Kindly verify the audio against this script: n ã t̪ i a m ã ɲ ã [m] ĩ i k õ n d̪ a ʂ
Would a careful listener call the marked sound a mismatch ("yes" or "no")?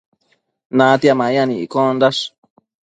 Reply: yes